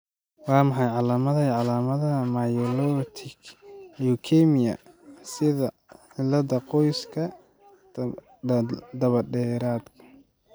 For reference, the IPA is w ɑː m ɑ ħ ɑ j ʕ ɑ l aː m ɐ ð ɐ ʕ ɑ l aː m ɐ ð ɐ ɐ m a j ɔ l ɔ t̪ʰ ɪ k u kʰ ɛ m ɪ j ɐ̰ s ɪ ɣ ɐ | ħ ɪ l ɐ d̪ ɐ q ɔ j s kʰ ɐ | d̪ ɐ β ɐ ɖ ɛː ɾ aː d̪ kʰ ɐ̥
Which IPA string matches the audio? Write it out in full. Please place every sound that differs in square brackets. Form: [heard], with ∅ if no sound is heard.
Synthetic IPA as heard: w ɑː m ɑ ħ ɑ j ʕ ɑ l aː m ɐ ð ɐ ʕ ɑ l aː m ɐ ð ɐ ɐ m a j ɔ l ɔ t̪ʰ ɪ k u kʰ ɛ m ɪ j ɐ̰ s ɪ [ð] ɐ | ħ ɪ l ɐ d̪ ɐ q ɔ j s kʰ ɐ | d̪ ɐ β ɐ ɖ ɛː ɾ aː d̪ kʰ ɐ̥